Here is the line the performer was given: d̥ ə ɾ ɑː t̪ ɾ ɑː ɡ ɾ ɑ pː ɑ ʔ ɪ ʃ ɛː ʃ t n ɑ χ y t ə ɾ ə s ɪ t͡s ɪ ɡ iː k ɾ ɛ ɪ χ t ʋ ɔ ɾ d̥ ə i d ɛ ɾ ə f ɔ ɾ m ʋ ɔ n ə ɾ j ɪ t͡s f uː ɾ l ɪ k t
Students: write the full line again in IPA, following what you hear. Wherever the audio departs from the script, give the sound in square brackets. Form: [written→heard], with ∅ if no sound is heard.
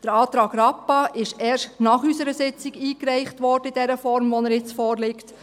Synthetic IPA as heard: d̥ ə ɾ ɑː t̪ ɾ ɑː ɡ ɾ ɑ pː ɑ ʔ ɪ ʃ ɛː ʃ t n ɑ χ y [t→s] ə ɾ ə s ɪ t͡s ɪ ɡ iː k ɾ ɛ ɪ χ t ʋ ɔ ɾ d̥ ə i d ɛ ɾ ə f ɔ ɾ m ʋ ɔ n ə ɾ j ɪ t͡s f [uː→ɔː] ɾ l ɪ k t